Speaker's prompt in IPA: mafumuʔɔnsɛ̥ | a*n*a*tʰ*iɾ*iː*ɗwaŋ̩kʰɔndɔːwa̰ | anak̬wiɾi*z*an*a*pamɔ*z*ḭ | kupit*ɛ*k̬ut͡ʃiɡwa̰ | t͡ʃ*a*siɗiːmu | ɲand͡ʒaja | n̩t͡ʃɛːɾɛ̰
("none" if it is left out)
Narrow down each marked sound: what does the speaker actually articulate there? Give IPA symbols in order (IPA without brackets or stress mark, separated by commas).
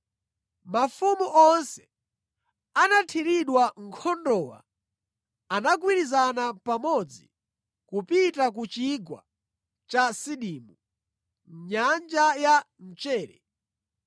n, tʰ, i, z, a, d͡z, a, a